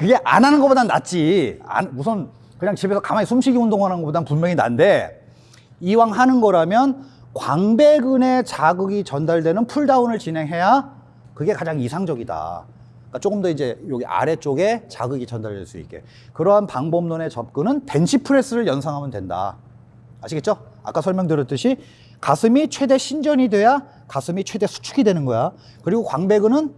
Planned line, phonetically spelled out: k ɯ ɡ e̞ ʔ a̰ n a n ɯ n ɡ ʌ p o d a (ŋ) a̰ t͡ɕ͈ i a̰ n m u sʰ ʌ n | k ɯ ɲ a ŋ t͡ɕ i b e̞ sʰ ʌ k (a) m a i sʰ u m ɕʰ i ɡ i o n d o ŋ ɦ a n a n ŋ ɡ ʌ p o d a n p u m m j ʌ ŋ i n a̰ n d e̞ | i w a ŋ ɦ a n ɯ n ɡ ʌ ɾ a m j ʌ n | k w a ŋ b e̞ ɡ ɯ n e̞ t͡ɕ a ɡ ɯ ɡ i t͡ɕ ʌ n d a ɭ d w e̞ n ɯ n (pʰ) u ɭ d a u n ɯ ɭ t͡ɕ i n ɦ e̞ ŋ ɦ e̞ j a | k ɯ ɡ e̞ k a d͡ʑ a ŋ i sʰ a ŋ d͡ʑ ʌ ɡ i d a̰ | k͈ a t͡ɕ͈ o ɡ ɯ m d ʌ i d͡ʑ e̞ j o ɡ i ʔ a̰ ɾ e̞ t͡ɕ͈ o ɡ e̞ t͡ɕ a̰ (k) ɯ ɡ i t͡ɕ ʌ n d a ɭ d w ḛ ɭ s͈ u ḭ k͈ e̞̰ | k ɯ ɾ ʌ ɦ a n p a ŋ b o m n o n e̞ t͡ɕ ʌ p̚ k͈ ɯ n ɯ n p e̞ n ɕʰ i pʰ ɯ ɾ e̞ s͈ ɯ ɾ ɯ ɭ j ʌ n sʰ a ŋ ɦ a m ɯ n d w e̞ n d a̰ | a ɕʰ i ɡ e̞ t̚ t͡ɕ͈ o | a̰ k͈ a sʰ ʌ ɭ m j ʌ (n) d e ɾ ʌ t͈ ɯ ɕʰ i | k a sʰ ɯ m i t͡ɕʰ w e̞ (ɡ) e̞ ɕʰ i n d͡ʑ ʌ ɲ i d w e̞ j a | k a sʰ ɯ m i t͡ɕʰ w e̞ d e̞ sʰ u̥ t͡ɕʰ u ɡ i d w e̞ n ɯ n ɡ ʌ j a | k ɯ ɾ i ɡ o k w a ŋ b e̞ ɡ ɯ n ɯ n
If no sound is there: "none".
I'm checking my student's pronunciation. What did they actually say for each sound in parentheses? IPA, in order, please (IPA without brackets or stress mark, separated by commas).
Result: n, a, pʰ, ɡ, ŋ, d